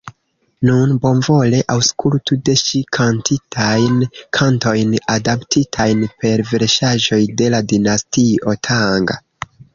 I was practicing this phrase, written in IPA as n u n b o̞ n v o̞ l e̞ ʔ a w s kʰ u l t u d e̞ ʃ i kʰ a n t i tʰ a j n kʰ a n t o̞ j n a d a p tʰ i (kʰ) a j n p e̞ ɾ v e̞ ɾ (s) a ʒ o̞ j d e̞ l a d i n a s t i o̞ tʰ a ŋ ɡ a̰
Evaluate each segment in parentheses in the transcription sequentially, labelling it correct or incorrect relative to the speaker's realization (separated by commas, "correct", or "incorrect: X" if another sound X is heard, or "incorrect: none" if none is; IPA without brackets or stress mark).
incorrect: tʰ, incorrect: ʃ